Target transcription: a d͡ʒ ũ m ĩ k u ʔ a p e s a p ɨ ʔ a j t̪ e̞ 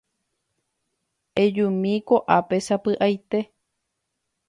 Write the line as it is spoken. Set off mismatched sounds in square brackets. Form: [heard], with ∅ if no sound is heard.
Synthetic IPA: [e] d͡ʒ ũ m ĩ k [o] ʔ a p e s a p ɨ ʔ a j t̪ e̞